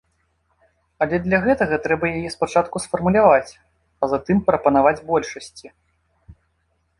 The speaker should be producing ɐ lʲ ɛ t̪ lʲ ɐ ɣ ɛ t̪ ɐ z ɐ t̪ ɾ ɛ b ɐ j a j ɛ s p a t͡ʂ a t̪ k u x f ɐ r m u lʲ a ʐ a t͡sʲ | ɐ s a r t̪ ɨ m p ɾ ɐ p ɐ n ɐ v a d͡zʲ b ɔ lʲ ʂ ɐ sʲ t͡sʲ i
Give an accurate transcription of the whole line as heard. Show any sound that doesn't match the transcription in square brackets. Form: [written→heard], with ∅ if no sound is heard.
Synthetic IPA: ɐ lʲ ɛ [t̪→d̪] lʲ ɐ ɣ ɛ t̪ ɐ [z→ɣ] ɐ t̪ ɾ ɛ b ɐ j a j ɛ s p a t͡ʂ a t̪ k u [x→s] f ɐ r m u lʲ a [ʐ→v] a t͡sʲ | ɐ [s→z] a [r→∅] t̪ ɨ m p ɾ ɐ p ɐ n [ɐ→a] v a d͡zʲ b ɔ lʲ ʂ ɐ sʲ t͡sʲ i